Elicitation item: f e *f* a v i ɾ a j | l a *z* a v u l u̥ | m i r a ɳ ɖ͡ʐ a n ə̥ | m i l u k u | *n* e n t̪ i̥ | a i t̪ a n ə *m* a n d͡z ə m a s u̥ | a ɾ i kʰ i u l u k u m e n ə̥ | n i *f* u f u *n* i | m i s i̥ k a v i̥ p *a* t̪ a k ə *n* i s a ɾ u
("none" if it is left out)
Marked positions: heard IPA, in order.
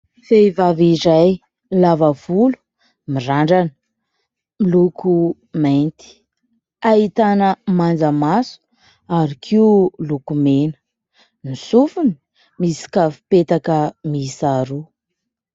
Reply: v, v, m, m, s, n, e, m

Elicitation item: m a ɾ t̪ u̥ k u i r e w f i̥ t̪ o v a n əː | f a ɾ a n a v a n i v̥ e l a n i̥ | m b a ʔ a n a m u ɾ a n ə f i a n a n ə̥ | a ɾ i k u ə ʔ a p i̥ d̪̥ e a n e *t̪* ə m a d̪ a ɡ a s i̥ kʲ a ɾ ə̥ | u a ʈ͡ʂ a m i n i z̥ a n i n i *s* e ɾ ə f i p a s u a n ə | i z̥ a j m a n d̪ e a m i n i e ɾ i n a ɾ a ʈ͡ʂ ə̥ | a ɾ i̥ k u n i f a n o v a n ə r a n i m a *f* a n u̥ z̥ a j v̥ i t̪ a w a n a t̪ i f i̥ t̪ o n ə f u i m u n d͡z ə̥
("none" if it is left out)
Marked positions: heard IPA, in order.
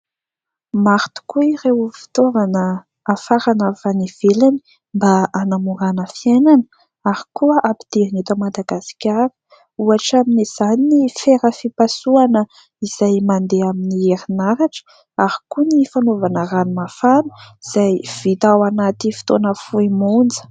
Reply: t̪, f, f

